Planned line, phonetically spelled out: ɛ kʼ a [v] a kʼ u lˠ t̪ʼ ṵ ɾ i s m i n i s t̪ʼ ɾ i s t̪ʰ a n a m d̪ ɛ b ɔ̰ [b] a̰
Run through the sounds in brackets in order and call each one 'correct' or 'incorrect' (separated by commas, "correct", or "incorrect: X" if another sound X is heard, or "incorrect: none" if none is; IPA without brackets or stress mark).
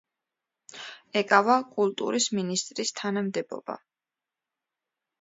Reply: correct, correct